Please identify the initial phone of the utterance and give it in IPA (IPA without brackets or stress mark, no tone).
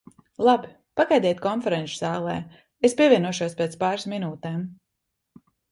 lˠ